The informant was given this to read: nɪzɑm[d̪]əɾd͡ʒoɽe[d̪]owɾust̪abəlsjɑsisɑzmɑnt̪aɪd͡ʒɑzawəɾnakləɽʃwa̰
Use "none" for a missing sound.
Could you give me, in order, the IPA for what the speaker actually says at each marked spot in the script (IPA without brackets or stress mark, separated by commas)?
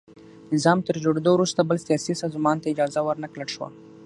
t̪, d̪